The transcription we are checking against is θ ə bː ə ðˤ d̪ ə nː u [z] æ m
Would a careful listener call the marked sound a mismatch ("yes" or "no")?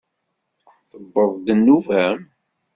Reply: yes